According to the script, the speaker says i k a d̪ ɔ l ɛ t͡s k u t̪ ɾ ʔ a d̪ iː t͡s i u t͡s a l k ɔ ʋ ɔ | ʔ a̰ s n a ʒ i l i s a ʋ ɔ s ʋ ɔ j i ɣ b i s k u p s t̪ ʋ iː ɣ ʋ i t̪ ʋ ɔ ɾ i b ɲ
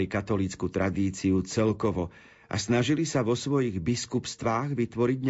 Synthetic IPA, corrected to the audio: i k a t̪ ɔ l i t͡s k u t̪ ɾ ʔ a d̪ iː t͡s i u t͡s ɛ l k ɔ ʋ ɔ | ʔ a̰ s n a ʒ i l i s a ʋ ɔ s ʋ ɔ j i ɣ b i s k u p s t̪ ʋ aː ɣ ʋ i t̪ ʋ ɔ ɾ i ɟ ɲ